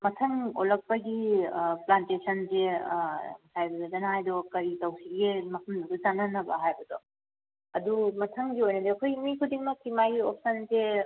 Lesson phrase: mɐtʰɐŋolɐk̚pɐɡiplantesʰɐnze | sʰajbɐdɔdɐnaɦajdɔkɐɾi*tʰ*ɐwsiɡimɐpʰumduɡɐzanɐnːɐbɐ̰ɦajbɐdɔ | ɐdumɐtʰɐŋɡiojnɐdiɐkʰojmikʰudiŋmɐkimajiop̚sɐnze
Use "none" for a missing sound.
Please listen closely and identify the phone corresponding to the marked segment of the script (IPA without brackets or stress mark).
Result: t